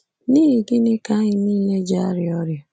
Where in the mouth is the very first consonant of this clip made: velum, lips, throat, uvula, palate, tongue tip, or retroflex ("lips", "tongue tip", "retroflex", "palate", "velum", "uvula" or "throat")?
tongue tip